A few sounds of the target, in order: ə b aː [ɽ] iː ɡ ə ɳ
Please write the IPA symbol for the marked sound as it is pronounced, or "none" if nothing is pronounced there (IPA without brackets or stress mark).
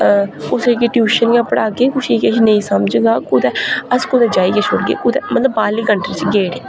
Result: l